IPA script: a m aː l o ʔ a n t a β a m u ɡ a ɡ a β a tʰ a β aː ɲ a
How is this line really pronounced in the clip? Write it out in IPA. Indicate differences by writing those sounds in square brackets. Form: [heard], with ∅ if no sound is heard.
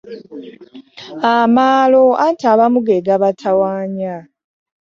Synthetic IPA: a m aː l o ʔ a n t a β a m u ɡ [e] ɡ a β a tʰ a [w] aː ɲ a